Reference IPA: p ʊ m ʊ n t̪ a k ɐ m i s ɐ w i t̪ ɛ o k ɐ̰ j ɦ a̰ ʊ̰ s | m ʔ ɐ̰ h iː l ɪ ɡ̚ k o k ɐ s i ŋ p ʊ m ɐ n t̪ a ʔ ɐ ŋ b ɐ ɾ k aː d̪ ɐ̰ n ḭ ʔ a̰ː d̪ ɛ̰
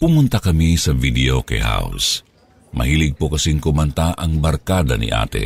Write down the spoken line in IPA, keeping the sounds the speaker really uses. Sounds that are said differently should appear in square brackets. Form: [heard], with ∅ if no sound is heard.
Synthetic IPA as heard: p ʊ m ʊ n t̪ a k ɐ m i s ɐ [v] i [d̪] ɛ o k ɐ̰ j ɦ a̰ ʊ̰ s | m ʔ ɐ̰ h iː l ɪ ɡ̚ [p] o k ɐ s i ŋ [k] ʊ m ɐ n t̪ a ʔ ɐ ŋ b ɐ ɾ k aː d̪ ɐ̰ n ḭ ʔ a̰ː [t̪] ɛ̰